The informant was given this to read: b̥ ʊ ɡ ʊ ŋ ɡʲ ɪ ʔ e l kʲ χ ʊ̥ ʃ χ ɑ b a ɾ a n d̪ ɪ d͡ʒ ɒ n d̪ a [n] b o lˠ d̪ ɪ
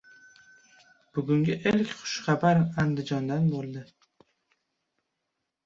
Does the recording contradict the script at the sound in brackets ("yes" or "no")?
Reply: no